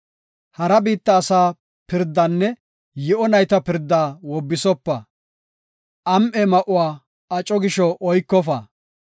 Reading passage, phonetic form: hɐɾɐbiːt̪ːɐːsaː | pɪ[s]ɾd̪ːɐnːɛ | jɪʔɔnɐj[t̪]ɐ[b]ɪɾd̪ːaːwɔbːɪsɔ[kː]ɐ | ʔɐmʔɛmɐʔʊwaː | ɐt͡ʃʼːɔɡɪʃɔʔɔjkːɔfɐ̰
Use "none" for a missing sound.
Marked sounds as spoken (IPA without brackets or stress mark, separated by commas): none, t̪, p, pː